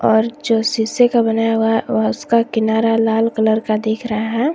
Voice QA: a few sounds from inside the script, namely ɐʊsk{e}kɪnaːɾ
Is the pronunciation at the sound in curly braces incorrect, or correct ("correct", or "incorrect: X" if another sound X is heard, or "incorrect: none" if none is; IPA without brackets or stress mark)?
incorrect: a